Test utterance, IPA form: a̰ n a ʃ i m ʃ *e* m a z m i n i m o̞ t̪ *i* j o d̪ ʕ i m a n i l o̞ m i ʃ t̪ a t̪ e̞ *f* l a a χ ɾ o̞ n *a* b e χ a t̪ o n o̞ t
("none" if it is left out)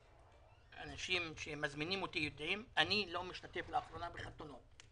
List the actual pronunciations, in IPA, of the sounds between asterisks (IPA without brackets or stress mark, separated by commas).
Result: e, i, f, a